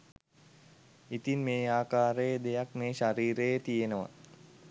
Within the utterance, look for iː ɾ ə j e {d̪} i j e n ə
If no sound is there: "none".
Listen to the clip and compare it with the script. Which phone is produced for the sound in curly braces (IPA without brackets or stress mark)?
t̪